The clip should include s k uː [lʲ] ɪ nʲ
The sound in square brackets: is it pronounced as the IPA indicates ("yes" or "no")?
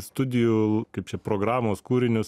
no